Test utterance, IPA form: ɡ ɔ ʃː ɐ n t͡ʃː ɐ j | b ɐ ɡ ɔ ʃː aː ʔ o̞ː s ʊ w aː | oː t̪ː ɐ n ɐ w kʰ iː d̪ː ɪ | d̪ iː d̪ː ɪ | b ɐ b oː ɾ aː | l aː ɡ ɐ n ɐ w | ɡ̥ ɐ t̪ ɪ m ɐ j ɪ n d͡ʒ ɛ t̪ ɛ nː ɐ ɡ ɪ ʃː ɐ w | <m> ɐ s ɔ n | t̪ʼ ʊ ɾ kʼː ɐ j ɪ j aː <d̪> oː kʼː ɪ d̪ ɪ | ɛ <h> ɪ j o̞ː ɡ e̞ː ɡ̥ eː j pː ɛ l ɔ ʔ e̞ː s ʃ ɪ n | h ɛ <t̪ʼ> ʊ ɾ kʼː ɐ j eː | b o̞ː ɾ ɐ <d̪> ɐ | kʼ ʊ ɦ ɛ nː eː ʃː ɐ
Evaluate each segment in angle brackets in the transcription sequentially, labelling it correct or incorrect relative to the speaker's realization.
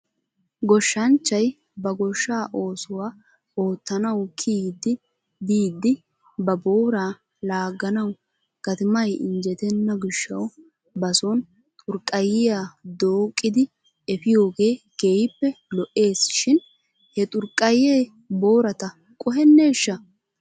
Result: incorrect: b, correct, incorrect: f, correct, incorrect: t̪

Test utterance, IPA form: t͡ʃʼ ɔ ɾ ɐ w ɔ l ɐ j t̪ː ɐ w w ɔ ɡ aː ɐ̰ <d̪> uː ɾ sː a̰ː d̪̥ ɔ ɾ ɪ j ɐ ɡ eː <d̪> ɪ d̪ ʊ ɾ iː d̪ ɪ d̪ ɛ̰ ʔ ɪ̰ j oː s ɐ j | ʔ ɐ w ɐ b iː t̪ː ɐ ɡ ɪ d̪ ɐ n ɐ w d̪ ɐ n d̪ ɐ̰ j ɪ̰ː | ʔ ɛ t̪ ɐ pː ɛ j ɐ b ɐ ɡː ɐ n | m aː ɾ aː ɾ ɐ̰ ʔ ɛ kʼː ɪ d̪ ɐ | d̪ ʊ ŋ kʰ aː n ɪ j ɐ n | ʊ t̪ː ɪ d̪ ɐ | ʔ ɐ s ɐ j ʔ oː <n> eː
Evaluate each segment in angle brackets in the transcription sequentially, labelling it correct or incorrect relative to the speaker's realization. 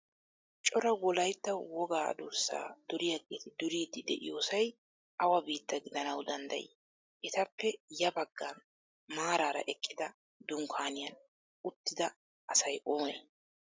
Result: correct, incorrect: t̪, incorrect: m

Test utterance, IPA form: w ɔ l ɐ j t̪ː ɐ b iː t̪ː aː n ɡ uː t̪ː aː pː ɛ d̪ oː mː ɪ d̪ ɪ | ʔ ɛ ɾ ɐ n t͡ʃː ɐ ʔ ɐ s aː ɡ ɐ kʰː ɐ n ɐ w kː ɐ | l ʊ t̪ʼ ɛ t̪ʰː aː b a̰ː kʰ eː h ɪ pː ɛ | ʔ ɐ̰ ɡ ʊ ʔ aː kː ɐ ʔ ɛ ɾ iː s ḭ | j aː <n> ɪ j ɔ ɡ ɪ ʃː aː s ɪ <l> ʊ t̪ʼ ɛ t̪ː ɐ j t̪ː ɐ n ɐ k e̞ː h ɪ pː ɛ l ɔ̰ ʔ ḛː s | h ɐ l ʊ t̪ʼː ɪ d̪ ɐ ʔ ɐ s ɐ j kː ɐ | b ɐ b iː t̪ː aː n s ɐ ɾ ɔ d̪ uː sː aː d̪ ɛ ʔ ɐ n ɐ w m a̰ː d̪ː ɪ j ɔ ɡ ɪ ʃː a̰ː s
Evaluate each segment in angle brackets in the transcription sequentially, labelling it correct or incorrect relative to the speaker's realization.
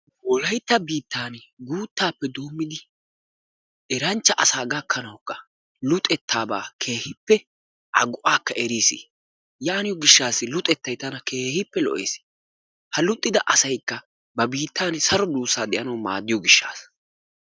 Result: correct, correct

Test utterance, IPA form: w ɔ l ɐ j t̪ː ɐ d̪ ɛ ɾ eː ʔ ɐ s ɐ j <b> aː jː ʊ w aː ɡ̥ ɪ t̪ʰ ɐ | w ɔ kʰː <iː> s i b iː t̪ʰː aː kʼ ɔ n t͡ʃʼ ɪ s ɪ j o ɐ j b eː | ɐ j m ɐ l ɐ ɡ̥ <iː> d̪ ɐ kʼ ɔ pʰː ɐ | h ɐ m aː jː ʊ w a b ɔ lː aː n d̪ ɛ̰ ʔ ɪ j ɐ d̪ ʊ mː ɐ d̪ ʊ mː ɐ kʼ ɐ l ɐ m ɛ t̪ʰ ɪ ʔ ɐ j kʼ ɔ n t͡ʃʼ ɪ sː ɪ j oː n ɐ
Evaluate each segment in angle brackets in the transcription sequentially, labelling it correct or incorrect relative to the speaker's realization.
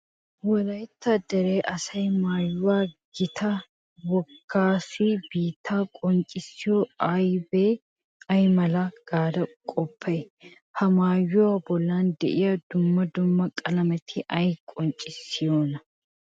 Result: incorrect: m, incorrect: aː, incorrect: aː

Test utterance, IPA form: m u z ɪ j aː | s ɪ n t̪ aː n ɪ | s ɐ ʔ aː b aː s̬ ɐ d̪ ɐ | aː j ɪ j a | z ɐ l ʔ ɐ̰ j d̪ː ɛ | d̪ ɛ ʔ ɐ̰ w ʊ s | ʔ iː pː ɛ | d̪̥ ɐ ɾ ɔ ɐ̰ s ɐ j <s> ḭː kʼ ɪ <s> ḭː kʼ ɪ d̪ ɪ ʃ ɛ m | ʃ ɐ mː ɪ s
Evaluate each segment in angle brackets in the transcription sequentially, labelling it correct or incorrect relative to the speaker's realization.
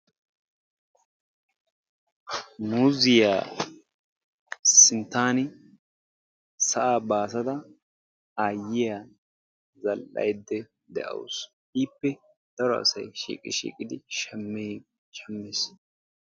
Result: incorrect: ʃ, incorrect: ʃ

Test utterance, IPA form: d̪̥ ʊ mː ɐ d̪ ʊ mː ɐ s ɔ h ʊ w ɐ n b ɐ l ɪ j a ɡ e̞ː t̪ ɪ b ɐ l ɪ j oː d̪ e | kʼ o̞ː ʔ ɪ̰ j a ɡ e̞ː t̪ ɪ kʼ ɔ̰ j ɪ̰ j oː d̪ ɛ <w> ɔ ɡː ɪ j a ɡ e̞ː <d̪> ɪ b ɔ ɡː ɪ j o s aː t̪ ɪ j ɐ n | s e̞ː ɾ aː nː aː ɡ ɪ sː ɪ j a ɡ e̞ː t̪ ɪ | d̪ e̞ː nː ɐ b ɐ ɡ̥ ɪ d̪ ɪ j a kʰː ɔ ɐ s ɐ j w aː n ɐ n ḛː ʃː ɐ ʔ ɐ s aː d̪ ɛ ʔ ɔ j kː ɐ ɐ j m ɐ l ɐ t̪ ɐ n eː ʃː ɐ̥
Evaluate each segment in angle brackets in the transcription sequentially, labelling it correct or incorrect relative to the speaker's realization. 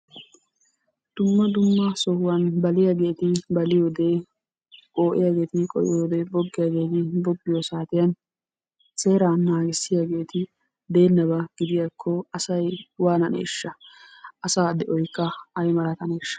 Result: incorrect: b, incorrect: t̪

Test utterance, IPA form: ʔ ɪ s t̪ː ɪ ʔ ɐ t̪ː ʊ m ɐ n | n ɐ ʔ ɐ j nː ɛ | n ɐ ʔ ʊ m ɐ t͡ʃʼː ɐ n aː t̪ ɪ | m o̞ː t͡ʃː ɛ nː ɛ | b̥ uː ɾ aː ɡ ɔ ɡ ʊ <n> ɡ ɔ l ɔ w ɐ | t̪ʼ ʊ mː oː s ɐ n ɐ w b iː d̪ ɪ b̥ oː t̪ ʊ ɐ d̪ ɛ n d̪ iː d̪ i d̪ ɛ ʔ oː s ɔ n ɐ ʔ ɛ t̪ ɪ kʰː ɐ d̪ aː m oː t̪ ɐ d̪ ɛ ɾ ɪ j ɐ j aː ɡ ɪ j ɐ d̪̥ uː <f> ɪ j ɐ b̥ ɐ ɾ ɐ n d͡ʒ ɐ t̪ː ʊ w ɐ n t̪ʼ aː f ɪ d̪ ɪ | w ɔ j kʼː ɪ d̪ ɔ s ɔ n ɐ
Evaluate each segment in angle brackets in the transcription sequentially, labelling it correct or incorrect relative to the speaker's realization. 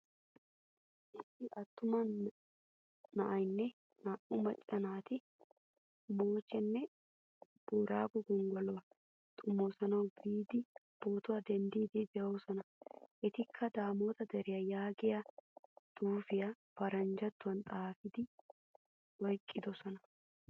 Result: incorrect: ŋ, correct

